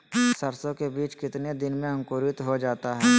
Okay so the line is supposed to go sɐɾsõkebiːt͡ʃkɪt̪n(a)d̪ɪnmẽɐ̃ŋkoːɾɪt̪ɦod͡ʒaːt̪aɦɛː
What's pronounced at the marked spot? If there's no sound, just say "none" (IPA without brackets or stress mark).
e